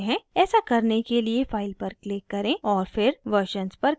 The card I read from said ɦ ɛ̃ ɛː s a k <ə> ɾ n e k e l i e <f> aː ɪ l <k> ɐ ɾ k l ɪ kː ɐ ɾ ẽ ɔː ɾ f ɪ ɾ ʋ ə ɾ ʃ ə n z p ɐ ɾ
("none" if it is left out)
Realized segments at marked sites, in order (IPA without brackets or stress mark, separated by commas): ɐ, f, p